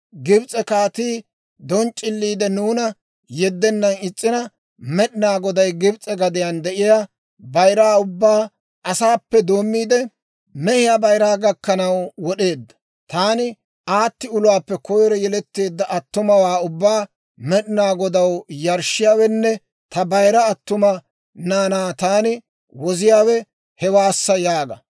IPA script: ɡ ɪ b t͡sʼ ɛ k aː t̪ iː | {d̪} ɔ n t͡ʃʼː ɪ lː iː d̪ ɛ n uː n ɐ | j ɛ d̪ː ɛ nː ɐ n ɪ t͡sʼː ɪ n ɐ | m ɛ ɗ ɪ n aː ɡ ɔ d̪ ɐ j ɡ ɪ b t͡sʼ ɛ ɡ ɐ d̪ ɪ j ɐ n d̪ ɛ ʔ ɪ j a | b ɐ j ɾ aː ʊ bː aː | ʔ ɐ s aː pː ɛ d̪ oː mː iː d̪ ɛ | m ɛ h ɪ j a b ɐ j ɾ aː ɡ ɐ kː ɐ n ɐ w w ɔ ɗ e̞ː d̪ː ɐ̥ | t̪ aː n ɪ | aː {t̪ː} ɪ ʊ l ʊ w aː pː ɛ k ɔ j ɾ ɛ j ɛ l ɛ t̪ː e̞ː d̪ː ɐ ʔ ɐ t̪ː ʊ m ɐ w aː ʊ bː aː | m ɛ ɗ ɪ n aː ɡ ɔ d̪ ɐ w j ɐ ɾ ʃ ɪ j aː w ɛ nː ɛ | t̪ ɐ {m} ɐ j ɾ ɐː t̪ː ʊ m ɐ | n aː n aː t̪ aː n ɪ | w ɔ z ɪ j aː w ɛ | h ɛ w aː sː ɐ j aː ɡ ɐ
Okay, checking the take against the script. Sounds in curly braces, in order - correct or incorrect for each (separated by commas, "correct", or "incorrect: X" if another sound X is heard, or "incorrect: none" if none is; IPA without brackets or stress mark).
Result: correct, correct, incorrect: b